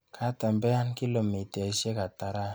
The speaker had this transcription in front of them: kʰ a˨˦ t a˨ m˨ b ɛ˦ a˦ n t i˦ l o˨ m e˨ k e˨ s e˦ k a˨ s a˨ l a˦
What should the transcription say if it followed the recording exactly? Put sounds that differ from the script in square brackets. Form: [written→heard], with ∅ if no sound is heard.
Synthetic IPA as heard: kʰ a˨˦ t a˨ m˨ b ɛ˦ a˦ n [t→k] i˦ l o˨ m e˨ [k→t] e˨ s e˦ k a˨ [s→t] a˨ [l→ɾ] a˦